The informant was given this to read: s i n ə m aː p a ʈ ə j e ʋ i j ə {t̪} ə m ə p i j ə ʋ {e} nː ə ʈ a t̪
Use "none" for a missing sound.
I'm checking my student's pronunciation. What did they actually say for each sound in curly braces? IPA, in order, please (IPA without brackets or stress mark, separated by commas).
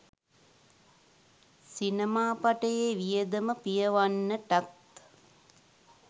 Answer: d̪, a